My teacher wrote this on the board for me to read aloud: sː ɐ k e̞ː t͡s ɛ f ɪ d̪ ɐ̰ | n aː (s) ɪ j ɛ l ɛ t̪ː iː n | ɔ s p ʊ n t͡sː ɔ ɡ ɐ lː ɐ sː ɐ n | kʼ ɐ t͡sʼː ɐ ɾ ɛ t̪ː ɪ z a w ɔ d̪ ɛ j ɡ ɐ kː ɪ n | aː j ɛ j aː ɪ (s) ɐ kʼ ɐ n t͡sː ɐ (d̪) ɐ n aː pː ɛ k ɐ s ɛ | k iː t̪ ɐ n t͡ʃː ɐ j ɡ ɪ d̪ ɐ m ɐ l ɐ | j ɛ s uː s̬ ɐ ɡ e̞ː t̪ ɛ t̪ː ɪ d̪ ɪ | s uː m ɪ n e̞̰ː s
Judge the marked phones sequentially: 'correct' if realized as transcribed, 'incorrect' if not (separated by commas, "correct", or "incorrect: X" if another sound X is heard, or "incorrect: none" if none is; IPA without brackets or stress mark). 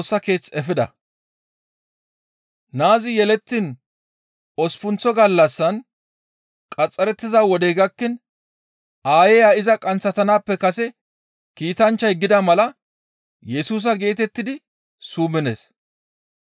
incorrect: z, incorrect: z, incorrect: t̪